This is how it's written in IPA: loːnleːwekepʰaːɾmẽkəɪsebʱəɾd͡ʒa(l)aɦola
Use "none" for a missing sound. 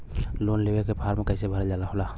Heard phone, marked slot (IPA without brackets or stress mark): l